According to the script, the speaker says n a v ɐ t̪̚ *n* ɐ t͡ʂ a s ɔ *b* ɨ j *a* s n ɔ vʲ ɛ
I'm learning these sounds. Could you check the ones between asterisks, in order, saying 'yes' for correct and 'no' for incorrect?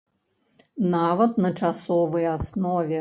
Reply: yes, no, yes

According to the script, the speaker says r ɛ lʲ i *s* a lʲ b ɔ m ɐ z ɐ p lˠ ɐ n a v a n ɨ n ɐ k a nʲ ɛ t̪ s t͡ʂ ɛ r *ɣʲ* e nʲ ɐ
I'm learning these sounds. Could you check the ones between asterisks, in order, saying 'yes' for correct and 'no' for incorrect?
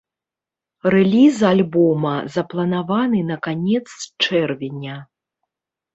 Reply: no, no

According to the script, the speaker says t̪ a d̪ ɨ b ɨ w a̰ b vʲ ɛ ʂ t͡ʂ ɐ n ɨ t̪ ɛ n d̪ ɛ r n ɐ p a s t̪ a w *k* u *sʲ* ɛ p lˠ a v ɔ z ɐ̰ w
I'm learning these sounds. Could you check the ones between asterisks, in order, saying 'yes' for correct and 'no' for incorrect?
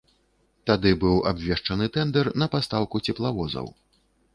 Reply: yes, no

